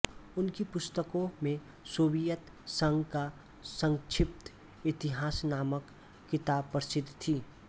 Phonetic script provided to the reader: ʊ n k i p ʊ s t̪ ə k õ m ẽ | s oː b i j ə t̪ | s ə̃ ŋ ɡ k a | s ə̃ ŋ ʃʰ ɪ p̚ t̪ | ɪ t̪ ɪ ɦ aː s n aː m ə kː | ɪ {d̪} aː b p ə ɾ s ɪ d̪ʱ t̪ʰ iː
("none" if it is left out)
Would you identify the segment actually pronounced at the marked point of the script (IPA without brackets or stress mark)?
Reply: t̪